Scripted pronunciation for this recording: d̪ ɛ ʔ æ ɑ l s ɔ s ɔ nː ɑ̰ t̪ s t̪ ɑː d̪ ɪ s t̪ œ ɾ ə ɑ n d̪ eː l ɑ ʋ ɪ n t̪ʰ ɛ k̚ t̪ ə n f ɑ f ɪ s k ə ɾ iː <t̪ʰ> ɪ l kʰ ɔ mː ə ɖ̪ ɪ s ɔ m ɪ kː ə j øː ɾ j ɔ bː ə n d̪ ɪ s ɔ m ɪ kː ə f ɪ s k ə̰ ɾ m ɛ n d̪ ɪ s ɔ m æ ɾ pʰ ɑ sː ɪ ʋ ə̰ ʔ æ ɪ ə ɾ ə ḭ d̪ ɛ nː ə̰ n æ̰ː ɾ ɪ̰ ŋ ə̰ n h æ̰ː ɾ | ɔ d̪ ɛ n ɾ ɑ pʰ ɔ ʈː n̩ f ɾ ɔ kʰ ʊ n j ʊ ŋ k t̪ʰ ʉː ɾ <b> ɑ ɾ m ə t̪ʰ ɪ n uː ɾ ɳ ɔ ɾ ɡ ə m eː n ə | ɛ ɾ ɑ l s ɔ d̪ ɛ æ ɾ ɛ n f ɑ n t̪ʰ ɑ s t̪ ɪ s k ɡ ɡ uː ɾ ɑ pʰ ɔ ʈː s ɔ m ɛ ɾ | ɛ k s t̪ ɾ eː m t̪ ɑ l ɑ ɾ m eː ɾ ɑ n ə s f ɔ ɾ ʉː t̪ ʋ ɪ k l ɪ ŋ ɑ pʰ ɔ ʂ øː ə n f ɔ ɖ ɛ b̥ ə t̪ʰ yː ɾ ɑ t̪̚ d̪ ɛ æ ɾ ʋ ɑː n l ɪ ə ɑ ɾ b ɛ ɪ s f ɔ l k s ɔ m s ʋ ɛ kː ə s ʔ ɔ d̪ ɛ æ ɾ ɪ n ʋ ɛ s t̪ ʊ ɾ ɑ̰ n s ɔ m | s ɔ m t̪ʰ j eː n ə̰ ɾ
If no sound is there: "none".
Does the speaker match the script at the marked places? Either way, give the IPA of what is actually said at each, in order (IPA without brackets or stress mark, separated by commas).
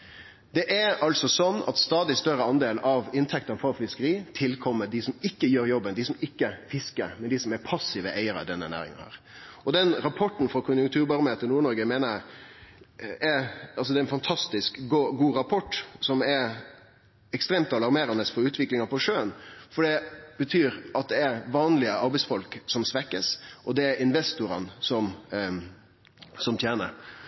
t̪ʰ, b